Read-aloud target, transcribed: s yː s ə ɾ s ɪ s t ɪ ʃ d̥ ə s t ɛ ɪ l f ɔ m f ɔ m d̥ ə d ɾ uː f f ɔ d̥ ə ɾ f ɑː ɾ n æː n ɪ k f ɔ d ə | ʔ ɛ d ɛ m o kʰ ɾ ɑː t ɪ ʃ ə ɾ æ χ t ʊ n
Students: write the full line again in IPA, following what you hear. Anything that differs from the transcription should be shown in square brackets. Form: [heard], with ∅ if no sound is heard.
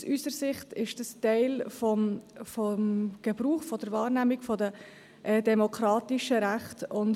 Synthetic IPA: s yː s ə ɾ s ɪ [χ] t ɪ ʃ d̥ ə s t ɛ ɪ l f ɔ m f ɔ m [ɡ̥] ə [b] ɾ uː [χ] f ɔ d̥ ə ɾ [v] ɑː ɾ n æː [m] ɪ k f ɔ d ə | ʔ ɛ d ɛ m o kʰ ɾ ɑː t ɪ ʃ ə ɾ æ χ t ʊ n